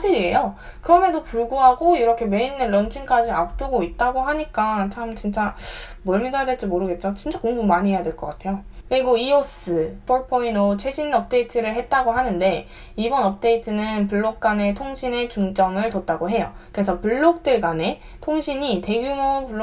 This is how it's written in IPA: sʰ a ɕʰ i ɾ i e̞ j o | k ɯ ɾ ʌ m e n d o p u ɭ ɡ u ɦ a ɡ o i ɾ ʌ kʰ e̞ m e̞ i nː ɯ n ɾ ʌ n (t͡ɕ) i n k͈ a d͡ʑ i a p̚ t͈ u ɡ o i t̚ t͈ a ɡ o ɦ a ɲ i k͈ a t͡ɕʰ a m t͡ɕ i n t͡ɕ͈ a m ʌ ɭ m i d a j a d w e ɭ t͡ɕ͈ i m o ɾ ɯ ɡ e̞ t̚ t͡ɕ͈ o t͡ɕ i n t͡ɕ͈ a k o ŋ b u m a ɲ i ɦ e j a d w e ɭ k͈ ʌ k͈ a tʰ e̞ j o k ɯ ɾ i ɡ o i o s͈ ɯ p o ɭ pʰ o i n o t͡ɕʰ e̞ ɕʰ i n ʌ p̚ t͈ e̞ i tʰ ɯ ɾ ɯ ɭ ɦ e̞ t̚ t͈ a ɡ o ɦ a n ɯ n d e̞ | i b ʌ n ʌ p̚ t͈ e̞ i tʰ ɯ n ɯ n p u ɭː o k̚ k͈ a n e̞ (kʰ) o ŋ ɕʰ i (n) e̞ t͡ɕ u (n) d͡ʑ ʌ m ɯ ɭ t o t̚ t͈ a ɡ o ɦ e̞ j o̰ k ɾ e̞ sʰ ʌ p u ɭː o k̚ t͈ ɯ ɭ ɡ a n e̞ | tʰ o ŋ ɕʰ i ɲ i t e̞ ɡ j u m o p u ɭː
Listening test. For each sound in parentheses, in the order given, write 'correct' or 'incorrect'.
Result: incorrect: t͡ɕʰ, incorrect: tʰ, correct, incorrect: ŋ

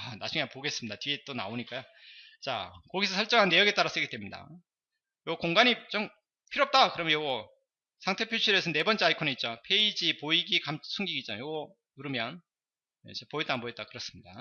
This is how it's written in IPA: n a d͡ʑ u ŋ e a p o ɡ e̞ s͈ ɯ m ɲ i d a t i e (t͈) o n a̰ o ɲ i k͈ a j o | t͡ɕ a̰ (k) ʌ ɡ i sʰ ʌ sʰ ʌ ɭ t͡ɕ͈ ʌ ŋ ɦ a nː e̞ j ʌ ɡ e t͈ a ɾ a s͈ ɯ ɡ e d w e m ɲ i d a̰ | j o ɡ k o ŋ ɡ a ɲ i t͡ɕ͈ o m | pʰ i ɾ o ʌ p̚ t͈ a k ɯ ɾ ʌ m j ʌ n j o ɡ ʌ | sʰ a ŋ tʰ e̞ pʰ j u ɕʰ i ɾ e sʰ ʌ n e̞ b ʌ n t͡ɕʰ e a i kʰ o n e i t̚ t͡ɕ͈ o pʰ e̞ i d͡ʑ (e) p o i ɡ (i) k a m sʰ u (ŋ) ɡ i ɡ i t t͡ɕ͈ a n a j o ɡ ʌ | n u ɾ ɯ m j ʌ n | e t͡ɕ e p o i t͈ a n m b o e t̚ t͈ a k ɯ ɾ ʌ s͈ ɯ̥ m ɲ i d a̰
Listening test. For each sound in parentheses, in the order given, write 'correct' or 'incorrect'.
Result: correct, correct, incorrect: i, correct, correct

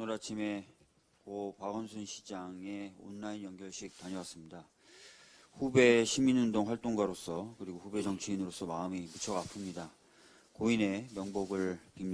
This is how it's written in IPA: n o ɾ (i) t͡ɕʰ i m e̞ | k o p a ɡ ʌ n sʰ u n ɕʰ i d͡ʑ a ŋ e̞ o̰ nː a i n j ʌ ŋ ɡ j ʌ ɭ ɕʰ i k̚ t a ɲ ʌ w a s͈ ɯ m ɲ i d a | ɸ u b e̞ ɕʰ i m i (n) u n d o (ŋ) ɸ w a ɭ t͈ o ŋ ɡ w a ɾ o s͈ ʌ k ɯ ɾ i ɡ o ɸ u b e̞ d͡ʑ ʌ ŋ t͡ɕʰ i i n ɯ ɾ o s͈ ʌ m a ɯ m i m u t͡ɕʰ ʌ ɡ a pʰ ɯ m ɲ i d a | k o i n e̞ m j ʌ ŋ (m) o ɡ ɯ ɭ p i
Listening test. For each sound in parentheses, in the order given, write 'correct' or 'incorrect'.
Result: incorrect: a, correct, correct, incorrect: b

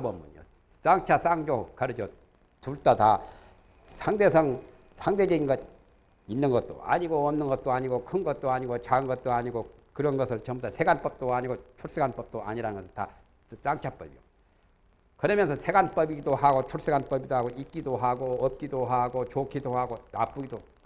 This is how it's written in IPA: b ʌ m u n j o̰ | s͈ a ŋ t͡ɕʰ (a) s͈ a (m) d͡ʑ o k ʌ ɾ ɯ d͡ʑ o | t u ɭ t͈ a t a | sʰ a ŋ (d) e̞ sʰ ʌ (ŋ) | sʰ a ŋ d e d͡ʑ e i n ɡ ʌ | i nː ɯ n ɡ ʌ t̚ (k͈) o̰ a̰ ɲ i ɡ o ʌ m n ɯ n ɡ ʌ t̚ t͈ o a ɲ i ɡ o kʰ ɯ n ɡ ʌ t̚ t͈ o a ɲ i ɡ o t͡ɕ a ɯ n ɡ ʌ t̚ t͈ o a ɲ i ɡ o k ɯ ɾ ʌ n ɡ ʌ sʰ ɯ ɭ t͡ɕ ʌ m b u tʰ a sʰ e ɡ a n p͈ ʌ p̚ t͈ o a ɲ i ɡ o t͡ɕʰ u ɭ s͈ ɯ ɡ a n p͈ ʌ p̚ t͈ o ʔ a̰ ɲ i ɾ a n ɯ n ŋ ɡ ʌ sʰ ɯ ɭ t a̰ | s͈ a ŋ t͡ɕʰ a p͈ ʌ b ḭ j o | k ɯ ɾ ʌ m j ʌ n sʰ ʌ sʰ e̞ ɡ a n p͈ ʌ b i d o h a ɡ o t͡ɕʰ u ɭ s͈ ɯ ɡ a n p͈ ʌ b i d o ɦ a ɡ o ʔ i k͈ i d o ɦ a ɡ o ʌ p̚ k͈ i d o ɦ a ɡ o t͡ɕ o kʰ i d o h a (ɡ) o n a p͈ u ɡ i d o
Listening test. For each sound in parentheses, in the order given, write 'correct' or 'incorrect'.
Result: correct, incorrect: ŋ, correct, correct, incorrect: t͈, correct

